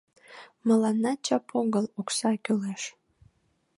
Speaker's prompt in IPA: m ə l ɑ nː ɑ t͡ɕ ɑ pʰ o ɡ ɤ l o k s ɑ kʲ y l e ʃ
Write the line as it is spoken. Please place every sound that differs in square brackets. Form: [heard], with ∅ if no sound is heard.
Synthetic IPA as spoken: m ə l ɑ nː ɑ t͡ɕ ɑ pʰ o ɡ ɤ l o k s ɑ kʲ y l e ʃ